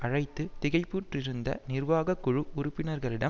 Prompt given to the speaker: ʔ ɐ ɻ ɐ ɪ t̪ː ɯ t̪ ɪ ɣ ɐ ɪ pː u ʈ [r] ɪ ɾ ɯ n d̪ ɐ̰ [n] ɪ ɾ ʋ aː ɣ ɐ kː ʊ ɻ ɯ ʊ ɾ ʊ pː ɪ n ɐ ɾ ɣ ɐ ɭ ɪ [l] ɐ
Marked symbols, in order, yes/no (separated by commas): yes, yes, no